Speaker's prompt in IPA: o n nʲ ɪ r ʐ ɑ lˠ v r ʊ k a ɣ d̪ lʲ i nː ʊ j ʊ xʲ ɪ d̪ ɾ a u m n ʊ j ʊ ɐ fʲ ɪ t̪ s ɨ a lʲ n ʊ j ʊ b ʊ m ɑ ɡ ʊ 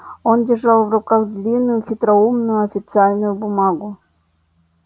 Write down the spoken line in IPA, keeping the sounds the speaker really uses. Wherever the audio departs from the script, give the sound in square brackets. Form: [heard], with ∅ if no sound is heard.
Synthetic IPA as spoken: o n [dʲ] ɪ r ʐ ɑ lˠ v r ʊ k a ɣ d̪ lʲ i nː ʊ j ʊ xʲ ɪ [t̪] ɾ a u m n ʊ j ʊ ɐ fʲ ɪ t̪ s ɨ a lʲ n ʊ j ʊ b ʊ m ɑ ɡ ʊ